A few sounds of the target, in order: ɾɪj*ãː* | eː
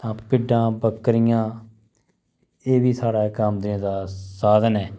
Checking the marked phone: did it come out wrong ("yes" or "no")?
no